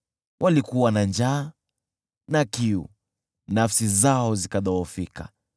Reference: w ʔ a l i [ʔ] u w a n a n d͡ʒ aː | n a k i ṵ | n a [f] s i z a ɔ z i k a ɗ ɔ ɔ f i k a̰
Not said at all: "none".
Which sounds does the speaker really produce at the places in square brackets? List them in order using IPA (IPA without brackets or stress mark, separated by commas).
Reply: k, f